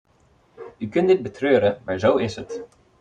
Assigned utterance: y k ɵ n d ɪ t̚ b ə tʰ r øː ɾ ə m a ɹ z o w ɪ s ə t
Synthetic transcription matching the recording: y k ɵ n d ɪ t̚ b ə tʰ r øː ɾ ə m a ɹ z o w ɪ s ə t